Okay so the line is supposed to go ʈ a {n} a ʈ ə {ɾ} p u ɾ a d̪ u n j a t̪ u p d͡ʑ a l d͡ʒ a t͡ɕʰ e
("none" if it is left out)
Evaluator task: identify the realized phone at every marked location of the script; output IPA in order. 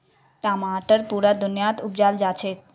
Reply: m, ɾ

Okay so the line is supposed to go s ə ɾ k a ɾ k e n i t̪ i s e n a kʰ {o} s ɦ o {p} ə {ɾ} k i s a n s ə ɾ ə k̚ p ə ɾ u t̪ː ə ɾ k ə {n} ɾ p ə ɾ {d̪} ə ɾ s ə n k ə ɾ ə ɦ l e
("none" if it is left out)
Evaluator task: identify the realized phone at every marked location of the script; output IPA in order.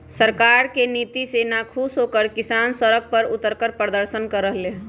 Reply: u, k, ɾ, none, d̪

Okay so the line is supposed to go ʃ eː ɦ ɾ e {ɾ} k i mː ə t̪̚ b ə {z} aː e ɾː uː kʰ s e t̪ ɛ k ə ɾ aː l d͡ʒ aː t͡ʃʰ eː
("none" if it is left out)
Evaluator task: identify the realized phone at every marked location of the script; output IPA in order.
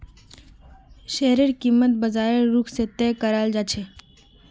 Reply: ɾ, z

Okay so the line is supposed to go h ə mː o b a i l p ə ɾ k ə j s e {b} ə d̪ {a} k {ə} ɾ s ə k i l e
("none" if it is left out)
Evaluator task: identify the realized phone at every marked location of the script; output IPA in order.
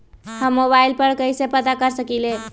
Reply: p, a, ə

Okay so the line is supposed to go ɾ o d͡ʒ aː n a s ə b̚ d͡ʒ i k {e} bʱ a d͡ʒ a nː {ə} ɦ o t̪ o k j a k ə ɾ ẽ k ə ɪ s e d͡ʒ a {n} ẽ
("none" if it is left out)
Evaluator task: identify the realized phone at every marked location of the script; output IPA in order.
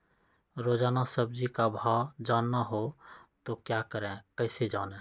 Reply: a, a, n

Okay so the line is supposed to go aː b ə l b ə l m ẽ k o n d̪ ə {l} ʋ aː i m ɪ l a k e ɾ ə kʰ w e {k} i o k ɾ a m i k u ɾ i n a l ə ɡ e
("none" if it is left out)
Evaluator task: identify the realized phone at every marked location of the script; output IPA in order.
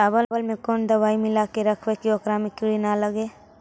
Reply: none, k

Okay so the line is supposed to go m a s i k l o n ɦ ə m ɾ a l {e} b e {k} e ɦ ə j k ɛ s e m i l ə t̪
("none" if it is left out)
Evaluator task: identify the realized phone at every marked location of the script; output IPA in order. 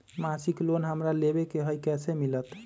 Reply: e, k

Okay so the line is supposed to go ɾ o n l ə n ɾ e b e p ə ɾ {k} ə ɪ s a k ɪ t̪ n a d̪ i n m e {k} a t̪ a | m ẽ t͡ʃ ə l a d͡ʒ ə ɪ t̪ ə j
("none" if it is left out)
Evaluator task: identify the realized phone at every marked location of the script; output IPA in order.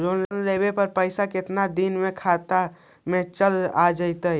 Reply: p, kʰ

